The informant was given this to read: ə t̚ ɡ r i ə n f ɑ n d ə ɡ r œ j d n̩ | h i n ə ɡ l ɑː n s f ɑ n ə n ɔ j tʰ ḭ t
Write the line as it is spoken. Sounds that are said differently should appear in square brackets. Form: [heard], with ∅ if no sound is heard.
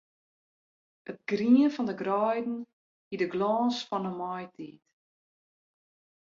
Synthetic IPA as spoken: ə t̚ ɡ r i ə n f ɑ n d ə ɡ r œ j d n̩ | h i [d] ə ɡ l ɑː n s f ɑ n ə [m] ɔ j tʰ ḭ t